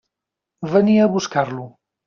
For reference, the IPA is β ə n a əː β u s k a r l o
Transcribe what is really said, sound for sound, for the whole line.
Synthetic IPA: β ə n i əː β u s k a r l u